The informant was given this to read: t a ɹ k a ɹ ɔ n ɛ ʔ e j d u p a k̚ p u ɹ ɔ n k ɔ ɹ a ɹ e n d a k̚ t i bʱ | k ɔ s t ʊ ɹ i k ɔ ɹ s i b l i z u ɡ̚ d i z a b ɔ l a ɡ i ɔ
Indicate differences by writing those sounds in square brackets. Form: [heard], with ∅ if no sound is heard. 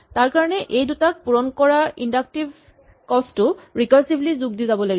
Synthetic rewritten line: t a ɹ k a ɹ ɔ n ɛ ʔ e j d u [t] a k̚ p u ɹ ɔ n k ɔ ɹ a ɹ [i] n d a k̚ t i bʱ | k ɔ s t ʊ ɹ i k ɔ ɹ s i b l i z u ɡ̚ d i z a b ɔ l a ɡ i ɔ